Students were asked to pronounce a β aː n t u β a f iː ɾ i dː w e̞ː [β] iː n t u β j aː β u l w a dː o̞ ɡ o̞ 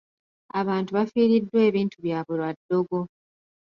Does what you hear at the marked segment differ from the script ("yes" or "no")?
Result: no